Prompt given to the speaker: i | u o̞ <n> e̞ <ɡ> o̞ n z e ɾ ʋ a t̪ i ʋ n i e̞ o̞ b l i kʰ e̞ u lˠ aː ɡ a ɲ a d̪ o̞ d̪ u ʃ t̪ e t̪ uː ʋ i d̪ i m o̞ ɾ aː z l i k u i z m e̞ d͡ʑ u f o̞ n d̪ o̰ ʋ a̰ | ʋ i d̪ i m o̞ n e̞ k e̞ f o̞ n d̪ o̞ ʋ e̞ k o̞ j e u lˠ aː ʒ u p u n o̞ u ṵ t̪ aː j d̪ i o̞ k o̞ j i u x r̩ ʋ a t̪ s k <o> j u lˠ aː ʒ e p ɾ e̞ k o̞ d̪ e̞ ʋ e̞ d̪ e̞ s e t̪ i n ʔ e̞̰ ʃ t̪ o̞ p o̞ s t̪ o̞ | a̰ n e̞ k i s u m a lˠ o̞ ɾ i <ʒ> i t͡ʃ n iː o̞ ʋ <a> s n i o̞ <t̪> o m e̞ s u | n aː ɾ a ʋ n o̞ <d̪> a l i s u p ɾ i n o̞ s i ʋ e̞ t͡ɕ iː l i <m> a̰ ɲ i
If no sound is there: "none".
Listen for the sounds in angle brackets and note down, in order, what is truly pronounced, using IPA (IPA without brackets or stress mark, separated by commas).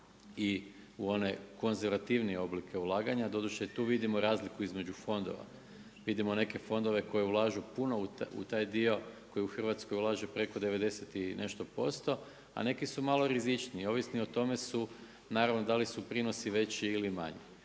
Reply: n, k, o, z, i, t̪, d̪, m